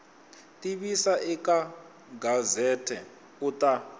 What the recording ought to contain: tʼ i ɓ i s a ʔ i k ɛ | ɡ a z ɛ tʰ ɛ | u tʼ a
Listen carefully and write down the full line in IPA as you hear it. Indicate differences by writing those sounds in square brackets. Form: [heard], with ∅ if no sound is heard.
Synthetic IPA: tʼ i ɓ i s a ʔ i k [a] | ɡ a z ɛ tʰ ɛ | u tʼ a